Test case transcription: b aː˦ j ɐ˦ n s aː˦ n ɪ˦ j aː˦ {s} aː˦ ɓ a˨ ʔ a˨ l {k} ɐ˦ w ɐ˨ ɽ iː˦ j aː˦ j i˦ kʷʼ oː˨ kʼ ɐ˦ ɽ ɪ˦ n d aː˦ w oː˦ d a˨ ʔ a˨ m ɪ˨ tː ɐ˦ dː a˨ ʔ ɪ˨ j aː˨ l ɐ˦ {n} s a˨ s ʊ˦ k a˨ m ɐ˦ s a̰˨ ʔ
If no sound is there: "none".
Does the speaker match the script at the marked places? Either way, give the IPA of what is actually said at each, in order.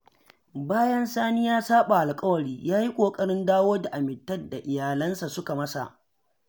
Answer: s, kʼ, n

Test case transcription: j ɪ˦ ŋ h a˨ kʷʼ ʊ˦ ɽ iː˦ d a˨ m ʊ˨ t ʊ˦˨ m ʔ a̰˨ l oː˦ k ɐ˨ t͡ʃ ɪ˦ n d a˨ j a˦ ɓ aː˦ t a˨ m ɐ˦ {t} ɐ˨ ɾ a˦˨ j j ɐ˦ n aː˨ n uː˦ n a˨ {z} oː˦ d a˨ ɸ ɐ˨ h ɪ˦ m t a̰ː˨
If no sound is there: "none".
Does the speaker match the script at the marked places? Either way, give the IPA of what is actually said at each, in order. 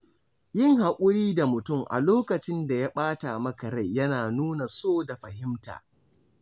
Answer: k, s

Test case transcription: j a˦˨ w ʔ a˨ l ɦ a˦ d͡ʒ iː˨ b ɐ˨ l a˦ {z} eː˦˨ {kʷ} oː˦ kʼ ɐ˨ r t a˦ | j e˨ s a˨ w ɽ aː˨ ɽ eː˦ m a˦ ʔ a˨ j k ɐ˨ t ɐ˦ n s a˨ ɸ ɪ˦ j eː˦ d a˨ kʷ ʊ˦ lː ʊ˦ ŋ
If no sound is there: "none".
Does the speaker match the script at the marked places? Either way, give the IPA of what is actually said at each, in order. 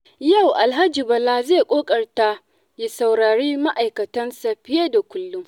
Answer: z, kʷʼ

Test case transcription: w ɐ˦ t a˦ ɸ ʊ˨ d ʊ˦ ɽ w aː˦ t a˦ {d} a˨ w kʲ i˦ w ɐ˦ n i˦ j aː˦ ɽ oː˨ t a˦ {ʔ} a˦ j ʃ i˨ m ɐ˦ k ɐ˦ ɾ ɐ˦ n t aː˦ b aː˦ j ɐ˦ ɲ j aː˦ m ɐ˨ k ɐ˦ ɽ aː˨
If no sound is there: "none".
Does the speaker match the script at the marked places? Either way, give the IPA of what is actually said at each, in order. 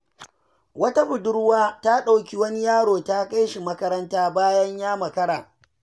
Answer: ɗ, k

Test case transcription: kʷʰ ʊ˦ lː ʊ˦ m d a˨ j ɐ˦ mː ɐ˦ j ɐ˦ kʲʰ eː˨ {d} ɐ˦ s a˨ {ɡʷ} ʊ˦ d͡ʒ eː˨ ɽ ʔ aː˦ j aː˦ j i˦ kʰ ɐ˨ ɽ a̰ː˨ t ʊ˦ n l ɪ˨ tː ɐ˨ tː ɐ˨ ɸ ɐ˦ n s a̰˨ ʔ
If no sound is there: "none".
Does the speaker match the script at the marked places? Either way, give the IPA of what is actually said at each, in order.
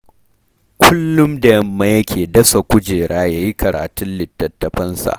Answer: d, kʷ

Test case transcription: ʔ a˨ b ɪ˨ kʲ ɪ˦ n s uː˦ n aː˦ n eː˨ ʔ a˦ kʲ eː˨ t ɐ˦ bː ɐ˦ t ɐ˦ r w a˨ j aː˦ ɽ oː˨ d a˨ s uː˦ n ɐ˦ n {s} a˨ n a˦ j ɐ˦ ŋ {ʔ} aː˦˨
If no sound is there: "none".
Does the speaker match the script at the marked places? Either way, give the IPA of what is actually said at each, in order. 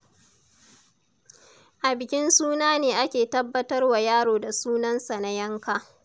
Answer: s, k

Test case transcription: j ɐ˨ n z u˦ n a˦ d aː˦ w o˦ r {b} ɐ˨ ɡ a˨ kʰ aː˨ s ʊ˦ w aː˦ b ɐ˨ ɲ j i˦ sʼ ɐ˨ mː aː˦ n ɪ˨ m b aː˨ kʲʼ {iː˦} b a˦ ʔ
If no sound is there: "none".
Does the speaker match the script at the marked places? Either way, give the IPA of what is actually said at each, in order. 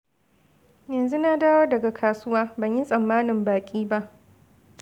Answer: d, iː˦

